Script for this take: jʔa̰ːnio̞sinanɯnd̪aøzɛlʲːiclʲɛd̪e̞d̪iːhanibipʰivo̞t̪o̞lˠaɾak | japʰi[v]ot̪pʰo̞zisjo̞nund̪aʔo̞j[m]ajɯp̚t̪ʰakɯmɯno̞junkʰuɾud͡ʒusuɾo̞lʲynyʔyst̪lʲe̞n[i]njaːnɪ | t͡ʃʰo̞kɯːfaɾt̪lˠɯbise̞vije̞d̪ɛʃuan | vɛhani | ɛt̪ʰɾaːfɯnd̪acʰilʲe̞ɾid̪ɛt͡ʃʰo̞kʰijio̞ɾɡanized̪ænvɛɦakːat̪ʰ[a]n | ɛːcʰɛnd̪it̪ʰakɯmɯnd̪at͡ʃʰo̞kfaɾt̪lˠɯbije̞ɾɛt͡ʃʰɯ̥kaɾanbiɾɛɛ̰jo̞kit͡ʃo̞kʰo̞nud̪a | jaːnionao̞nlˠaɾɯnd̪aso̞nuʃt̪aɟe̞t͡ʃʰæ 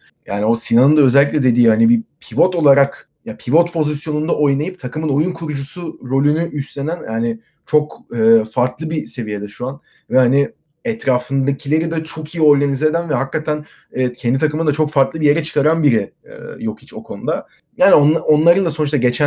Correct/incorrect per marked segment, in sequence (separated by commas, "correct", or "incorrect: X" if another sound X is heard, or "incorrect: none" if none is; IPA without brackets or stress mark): correct, incorrect: n, incorrect: æ, incorrect: æ